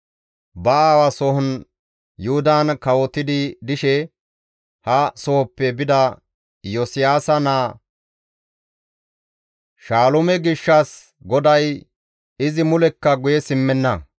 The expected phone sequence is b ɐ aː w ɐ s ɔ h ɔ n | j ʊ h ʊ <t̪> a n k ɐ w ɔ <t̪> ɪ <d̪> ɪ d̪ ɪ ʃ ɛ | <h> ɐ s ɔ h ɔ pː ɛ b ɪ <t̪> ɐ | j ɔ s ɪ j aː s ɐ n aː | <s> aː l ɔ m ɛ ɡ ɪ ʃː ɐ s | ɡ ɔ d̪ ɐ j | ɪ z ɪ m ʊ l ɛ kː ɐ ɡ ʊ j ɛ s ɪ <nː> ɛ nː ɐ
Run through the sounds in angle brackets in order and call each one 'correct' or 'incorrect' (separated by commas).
incorrect, correct, correct, correct, incorrect, incorrect, incorrect